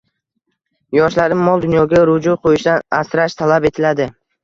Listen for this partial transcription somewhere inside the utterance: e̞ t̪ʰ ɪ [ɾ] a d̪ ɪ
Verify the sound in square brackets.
incorrect: l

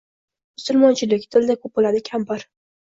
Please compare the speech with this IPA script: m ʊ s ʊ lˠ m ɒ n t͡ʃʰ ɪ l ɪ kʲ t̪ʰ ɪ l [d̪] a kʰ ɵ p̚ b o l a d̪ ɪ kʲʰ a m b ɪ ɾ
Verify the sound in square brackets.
correct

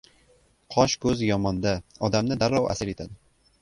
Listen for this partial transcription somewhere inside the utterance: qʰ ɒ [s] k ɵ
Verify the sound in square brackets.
incorrect: ʃ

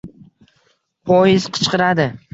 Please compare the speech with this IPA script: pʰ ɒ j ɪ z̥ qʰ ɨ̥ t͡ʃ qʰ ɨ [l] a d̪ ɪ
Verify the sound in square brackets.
incorrect: ɾ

